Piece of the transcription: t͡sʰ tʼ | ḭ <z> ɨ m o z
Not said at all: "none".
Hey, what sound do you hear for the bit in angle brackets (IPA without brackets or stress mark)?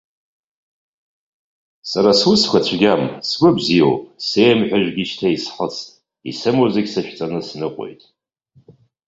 s